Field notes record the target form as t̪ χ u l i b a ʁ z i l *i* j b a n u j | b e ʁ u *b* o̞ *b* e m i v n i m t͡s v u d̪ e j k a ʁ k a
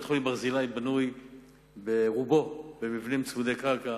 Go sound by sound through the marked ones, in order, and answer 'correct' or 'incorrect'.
incorrect: a, correct, correct

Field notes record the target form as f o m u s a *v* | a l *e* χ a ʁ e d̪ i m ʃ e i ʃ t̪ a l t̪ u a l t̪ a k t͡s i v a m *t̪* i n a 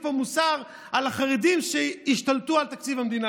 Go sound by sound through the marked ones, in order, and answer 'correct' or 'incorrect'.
incorrect: ʁ, incorrect: a, incorrect: d̪

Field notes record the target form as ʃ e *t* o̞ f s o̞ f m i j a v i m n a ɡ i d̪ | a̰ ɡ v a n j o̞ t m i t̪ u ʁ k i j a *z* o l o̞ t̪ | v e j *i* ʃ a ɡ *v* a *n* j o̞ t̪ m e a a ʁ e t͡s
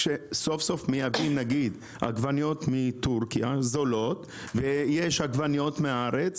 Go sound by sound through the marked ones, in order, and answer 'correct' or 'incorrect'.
incorrect: s, correct, incorrect: e, correct, correct

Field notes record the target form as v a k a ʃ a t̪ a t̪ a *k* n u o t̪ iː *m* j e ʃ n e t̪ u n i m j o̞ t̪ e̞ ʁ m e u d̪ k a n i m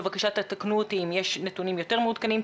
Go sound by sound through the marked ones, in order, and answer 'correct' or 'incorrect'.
correct, correct

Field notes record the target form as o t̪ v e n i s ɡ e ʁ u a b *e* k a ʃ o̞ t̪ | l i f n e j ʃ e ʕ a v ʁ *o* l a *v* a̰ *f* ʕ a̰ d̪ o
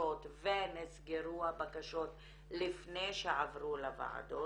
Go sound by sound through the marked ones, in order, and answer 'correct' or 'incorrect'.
incorrect: a, incorrect: u, correct, incorrect: none

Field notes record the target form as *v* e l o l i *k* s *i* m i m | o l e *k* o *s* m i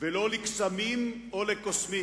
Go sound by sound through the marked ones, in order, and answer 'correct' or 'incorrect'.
correct, correct, incorrect: a, correct, correct

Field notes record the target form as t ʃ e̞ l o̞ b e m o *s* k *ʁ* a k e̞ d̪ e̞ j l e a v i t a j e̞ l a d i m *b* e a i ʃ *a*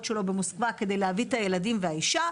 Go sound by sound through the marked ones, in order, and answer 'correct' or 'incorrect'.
correct, incorrect: v, incorrect: v, correct

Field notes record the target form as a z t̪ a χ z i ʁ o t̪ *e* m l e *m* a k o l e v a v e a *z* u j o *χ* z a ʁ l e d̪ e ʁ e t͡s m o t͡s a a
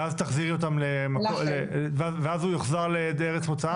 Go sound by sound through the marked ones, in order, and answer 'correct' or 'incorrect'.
incorrect: a, correct, correct, correct

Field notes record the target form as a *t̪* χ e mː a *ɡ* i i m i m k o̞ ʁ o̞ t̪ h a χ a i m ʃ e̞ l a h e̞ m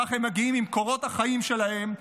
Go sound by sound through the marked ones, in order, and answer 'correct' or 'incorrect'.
incorrect: none, correct

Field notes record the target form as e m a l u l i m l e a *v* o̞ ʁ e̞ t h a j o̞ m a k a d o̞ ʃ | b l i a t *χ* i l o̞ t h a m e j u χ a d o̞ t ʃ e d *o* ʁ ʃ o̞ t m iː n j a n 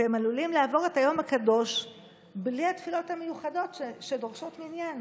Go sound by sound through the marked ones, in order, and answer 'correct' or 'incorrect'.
correct, incorrect: f, correct

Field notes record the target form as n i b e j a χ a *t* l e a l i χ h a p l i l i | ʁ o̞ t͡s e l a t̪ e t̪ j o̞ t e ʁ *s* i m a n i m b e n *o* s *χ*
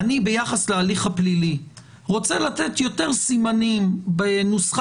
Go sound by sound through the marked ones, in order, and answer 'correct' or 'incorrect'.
incorrect: s, correct, incorrect: u, correct

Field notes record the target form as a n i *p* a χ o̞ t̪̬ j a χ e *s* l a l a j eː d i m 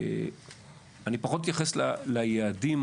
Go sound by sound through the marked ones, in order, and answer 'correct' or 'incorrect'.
correct, correct

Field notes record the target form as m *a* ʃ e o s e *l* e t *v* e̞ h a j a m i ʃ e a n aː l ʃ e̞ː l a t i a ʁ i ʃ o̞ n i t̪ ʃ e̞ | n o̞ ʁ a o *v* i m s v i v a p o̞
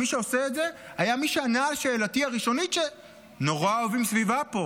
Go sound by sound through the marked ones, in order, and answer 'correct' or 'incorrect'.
incorrect: i, incorrect: none, incorrect: z, correct

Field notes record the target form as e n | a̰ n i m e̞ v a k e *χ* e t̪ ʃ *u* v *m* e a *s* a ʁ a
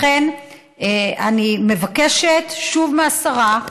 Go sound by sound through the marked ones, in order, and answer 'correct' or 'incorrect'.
incorrect: ʃ, correct, correct, correct

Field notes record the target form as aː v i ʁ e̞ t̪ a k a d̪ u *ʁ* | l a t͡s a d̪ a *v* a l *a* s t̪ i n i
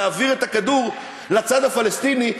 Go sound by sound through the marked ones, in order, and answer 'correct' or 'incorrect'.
correct, incorrect: f, incorrect: e

